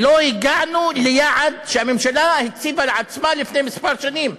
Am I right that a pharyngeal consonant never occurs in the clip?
no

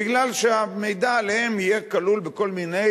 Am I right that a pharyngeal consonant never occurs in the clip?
yes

